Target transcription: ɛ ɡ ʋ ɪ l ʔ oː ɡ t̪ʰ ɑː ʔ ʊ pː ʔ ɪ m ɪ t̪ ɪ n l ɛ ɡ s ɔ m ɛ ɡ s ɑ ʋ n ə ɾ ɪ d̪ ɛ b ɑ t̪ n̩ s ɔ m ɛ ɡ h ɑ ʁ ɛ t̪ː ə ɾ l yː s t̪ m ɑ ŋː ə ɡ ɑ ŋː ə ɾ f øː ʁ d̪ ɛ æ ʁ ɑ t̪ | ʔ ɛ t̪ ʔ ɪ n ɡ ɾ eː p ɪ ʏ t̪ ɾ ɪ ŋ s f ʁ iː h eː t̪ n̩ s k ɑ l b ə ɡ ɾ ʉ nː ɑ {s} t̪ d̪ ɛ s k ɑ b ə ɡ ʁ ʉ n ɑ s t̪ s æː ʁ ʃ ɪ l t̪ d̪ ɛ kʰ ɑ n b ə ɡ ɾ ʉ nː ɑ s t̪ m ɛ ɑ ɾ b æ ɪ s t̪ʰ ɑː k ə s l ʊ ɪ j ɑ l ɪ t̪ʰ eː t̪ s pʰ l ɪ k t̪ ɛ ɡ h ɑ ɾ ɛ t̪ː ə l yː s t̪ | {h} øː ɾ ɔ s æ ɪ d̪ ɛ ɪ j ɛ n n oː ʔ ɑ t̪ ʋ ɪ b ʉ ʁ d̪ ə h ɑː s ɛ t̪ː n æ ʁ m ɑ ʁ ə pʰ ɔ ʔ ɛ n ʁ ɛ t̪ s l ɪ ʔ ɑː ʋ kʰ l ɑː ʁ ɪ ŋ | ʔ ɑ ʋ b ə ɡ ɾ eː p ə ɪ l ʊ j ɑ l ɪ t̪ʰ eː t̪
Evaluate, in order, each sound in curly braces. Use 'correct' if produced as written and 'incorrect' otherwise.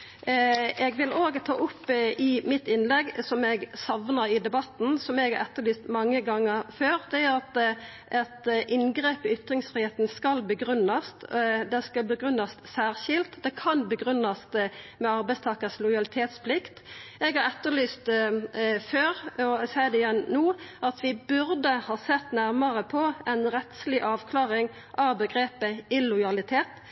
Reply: correct, incorrect

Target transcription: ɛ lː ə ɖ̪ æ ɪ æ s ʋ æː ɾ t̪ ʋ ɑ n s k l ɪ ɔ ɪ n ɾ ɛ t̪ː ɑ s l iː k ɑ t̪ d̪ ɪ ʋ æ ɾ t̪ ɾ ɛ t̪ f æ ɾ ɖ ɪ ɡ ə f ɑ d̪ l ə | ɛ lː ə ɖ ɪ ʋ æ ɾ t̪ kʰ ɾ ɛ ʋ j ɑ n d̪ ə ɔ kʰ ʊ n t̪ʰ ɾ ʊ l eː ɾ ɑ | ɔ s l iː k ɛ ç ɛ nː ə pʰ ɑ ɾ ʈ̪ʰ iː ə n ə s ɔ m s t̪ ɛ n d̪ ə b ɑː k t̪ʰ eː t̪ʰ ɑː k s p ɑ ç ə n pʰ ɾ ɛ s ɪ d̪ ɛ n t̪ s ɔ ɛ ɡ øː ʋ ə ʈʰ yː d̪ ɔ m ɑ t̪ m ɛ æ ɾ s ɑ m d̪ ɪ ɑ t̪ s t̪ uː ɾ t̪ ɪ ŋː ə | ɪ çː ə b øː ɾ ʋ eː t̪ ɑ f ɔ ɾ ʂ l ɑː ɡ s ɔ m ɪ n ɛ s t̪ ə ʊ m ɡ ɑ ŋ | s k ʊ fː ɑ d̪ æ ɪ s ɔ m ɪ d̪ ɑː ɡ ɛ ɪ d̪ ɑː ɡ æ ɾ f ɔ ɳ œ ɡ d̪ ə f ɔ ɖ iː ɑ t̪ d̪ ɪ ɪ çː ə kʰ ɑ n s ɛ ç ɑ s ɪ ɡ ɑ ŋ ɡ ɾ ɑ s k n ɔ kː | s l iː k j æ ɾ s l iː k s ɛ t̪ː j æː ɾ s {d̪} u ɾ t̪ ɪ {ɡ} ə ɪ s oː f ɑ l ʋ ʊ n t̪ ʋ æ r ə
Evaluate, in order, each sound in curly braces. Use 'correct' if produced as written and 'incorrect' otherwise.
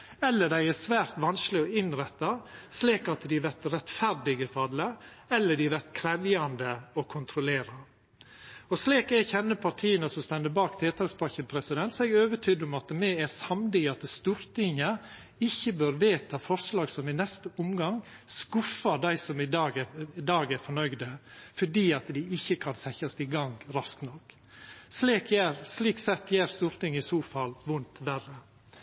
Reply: incorrect, incorrect

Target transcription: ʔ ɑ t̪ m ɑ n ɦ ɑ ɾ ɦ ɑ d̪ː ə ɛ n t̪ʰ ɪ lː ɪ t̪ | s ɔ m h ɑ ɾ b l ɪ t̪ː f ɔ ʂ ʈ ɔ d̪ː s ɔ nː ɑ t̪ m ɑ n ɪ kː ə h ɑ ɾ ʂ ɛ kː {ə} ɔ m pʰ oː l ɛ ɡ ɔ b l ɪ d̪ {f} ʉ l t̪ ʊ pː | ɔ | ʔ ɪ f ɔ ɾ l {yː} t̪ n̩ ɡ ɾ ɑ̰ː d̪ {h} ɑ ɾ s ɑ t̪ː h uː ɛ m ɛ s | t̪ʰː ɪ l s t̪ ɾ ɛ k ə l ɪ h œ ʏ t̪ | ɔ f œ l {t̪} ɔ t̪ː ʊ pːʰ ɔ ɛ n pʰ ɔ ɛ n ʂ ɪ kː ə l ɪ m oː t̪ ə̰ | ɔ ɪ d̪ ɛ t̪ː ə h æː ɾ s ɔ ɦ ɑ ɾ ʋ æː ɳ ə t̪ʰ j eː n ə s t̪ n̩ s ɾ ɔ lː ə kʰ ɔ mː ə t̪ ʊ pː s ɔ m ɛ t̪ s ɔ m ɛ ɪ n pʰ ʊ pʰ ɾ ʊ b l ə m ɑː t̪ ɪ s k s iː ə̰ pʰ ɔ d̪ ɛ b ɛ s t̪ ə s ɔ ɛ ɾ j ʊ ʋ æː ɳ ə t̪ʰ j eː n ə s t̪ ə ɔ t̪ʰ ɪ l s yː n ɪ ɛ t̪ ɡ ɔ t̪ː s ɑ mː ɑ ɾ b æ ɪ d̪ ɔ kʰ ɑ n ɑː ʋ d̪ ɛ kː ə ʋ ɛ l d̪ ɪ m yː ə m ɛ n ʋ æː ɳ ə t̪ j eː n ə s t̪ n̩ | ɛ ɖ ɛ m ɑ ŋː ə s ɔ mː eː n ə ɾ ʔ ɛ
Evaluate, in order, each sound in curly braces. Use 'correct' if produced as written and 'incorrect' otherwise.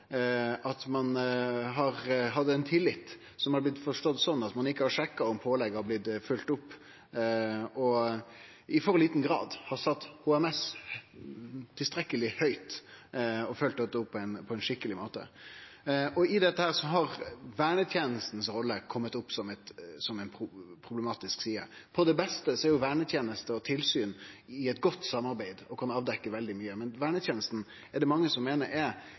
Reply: incorrect, correct, incorrect, correct, correct

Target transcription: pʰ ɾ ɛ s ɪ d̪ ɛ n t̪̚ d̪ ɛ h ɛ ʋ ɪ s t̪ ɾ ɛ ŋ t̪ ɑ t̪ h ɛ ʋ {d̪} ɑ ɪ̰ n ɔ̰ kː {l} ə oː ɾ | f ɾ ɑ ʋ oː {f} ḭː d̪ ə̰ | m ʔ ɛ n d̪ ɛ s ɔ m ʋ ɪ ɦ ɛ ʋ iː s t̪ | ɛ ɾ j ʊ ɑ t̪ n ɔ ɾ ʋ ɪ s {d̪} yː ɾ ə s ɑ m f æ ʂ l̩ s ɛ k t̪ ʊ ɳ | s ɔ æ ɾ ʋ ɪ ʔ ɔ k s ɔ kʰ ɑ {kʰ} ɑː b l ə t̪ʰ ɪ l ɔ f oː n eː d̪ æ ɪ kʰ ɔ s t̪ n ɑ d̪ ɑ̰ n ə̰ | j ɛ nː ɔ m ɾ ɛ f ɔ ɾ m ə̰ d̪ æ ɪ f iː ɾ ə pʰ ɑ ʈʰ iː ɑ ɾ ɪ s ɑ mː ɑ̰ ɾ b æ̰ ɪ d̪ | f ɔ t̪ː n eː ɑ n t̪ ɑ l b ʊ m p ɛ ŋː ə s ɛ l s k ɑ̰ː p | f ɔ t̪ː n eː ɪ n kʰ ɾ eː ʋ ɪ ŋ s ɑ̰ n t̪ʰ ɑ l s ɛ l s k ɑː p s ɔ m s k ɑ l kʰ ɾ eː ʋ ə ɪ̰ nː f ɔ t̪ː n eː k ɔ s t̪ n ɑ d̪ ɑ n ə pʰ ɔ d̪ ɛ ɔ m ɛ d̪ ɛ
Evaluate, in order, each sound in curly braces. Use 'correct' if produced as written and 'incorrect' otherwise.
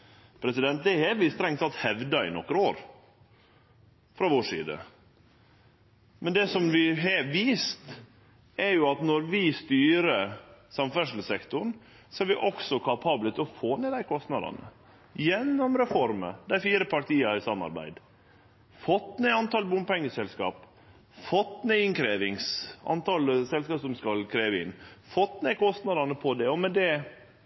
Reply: correct, incorrect, incorrect, incorrect, incorrect

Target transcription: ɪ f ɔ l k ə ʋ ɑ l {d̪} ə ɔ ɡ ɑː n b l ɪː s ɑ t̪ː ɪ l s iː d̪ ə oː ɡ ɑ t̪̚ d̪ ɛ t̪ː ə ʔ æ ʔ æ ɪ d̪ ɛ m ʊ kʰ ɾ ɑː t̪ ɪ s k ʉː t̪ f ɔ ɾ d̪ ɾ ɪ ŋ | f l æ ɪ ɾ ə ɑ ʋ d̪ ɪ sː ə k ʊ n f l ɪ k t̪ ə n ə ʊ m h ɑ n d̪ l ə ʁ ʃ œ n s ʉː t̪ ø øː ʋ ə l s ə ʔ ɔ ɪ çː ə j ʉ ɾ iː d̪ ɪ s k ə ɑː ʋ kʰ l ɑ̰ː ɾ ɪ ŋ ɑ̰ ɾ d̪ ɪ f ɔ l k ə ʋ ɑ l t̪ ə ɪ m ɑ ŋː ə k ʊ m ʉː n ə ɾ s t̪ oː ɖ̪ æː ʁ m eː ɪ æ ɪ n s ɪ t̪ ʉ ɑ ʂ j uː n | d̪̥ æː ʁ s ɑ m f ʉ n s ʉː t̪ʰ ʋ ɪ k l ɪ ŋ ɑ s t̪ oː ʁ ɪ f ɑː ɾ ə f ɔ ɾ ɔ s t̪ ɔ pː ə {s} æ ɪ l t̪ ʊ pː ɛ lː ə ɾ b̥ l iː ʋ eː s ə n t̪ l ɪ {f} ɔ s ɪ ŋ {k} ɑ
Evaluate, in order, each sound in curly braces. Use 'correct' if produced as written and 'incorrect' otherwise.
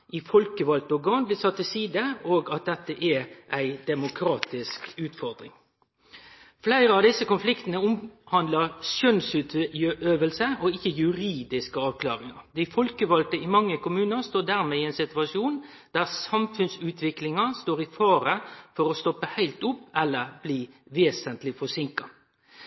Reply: incorrect, incorrect, correct, correct

